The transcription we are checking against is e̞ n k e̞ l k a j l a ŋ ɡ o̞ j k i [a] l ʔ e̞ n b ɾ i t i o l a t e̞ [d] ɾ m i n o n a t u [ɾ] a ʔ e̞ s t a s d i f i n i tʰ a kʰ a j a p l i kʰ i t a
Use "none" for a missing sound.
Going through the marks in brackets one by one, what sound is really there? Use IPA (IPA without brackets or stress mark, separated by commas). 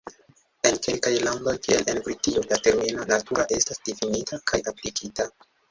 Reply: e, none, ɾ